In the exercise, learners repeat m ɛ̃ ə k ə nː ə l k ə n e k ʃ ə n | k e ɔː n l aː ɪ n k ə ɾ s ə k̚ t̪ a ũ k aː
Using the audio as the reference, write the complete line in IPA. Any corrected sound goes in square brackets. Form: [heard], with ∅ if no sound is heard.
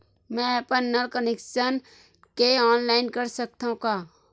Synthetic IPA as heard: m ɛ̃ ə [p] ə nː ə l k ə n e k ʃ ə n | k e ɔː n l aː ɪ n k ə ɾ s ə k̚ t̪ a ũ k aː